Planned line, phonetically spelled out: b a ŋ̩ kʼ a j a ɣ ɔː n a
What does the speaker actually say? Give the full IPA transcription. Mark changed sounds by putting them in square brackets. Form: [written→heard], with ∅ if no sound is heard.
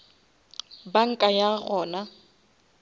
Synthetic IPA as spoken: b a ŋ̩ kʼ a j a ɣ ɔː n a